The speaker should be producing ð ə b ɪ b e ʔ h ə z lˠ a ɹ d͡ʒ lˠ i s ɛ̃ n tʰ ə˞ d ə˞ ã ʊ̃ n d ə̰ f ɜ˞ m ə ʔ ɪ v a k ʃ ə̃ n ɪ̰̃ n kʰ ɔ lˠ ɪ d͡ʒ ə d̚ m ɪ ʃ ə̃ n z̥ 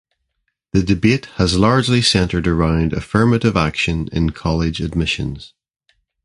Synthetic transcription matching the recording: ð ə d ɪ b e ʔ h ə z lˠ a ɹ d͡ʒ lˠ i s ɛ̃ n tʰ ə˞ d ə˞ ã ʊ̃ n d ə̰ f ɜ˞ m ə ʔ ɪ v a k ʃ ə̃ n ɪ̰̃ n kʰ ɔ lˠ ɪ d͡ʒ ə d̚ m ɪ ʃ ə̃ n z̥